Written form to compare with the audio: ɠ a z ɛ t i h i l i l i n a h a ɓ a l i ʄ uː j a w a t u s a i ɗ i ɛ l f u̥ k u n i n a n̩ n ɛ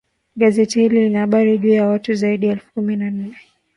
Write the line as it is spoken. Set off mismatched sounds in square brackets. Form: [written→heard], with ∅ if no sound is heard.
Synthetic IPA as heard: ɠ a z ɛ t i h i l i l i n a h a ɓ a [l→ɾ] i ʄ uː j a w a t u [s→z] a i ɗ i ɛ l f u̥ k u [n→m] i n a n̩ n ɛ